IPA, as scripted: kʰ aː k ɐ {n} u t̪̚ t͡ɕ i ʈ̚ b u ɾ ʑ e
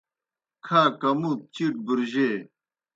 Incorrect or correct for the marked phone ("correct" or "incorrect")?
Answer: incorrect